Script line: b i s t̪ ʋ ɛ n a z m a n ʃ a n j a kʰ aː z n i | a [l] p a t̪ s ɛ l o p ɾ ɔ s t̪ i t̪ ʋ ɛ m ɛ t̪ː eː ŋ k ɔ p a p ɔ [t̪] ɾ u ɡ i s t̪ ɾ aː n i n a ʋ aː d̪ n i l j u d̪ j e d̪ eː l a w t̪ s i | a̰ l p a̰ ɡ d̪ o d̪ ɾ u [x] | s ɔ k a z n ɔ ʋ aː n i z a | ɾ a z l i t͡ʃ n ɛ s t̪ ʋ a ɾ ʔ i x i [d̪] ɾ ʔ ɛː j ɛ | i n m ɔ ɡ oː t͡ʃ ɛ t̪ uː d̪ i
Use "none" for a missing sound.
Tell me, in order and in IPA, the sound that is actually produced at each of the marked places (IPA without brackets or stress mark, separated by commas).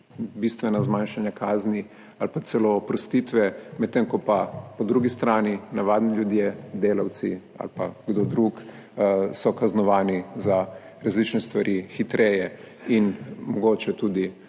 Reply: l, d̪, k, t̪